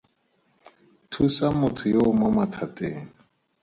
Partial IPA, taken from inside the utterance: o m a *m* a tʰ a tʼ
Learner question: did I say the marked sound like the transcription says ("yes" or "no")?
yes